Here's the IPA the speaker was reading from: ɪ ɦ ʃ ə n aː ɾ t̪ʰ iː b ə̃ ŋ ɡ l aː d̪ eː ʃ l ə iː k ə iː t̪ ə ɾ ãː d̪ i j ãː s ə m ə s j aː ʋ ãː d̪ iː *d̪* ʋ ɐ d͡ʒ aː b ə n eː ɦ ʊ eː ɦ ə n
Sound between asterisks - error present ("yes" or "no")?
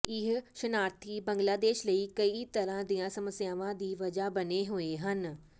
yes